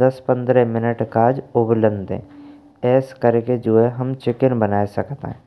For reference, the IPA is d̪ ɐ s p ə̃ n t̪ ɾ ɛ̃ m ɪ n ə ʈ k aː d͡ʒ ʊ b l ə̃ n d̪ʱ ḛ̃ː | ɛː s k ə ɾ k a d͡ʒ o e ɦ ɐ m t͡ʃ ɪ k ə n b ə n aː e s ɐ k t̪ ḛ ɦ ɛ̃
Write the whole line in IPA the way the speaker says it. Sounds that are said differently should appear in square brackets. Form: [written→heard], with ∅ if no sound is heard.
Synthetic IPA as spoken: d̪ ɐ s p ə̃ n [t̪→d̪] ɾ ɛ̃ m ɪ n ə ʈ k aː d͡ʒ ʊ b l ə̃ n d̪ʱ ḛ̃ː | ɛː s k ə ɾ k [a→e] d͡ʒ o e ɦ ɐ m t͡ʃ ɪ k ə n b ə n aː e s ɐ k t̪ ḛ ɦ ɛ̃